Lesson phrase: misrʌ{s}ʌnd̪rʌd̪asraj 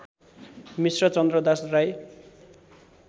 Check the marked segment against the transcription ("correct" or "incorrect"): incorrect